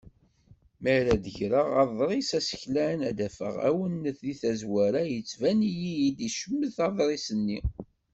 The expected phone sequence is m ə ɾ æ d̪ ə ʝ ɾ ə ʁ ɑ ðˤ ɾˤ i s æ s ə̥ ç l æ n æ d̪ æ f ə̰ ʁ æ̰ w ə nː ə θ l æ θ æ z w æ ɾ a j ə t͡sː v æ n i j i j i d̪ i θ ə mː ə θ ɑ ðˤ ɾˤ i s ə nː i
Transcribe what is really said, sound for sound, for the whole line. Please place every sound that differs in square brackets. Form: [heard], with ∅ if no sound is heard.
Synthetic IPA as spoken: m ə ɾ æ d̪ ə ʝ ɾ ə ʁ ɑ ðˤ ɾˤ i s æ s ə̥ ç l æ n æ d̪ æ f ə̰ ʁ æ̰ w ə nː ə θ l [i] θ æ z w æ ɾ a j ə t͡sː v æ n i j i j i d̪ i [ʃ] ə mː ə θ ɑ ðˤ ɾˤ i s ə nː i